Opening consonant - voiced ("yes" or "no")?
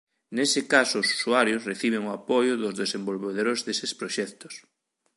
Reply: yes